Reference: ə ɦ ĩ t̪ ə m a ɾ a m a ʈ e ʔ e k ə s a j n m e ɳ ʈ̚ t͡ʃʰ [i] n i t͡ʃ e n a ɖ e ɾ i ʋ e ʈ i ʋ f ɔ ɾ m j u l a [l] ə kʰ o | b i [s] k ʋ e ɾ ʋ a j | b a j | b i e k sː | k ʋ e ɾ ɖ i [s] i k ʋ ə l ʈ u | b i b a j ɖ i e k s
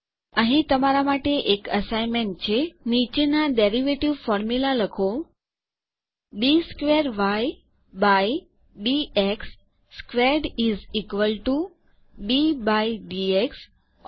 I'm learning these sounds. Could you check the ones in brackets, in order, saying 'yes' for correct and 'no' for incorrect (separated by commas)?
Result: no, yes, yes, no